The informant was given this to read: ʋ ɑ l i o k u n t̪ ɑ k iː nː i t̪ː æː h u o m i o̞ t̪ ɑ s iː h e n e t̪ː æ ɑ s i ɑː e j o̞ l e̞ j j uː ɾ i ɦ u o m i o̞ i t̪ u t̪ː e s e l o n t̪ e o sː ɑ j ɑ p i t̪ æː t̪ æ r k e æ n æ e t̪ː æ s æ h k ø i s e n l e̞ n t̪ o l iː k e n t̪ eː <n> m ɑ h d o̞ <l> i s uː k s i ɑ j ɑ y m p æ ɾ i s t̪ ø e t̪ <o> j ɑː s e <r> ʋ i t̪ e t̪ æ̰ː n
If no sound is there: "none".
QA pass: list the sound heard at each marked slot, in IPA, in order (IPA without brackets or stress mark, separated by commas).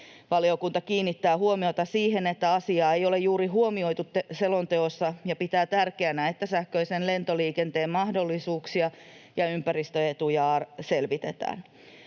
m, lː, u, l